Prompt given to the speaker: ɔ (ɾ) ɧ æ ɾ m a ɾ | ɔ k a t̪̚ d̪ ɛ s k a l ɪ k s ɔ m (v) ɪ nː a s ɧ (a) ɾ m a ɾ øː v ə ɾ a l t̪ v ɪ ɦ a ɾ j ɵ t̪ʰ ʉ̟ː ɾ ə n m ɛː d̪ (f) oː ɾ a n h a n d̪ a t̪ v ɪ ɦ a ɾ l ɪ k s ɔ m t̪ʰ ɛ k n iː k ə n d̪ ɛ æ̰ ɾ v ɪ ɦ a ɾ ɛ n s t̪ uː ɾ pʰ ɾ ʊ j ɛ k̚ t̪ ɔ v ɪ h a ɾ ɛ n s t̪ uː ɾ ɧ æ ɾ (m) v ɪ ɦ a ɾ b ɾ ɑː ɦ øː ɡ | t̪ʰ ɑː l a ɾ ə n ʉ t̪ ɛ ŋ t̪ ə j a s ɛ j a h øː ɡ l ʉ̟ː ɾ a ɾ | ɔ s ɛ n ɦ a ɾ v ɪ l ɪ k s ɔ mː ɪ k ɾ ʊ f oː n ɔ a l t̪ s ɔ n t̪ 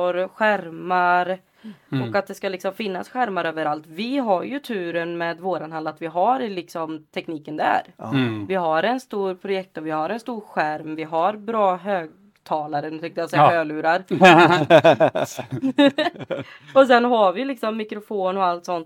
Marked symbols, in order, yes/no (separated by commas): yes, no, no, no, yes